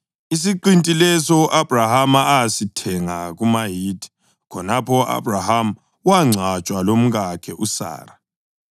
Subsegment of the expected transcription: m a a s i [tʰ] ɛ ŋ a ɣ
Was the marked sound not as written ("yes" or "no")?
no